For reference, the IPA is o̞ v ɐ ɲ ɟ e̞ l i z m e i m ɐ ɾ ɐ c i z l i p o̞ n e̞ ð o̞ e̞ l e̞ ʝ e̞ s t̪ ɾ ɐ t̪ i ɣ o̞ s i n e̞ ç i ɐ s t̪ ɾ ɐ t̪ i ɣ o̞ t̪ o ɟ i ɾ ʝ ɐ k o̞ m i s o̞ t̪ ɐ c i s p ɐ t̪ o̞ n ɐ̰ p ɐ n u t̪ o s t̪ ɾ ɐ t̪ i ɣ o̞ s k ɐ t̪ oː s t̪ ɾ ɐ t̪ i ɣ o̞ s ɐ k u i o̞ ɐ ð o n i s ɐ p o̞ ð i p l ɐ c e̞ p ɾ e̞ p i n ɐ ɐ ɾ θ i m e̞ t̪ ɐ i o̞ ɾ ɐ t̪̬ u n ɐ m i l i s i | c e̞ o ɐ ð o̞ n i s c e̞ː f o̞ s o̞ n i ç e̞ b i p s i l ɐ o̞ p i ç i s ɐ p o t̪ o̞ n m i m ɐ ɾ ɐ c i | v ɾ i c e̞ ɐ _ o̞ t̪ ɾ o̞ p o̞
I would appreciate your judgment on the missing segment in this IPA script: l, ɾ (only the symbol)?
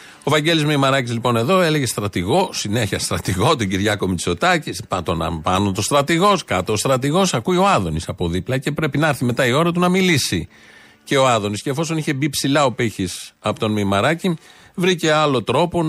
l